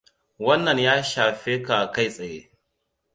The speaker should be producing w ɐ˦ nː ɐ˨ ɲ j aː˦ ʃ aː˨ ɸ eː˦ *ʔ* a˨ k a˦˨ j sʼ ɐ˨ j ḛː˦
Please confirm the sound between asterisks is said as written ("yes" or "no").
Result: no